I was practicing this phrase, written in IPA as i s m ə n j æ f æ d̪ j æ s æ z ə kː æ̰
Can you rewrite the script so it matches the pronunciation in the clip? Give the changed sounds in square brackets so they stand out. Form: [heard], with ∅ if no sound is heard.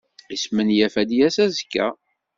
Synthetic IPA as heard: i s m ə n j æ f æ d̪ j æ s æ z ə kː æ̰